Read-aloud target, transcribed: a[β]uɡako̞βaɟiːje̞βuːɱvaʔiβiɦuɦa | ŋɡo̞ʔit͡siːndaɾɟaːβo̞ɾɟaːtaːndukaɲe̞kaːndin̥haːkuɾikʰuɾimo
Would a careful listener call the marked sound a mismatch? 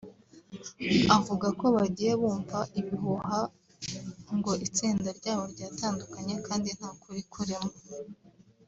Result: yes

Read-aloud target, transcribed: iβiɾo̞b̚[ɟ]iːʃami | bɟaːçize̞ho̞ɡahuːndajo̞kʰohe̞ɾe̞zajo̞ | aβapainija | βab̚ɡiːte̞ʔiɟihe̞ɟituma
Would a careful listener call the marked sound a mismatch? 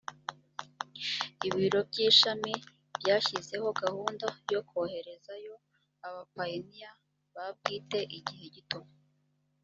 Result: no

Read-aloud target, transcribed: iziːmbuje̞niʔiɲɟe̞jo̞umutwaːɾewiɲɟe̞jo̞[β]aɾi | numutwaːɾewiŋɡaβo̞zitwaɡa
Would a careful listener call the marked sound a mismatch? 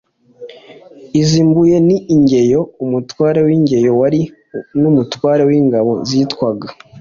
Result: yes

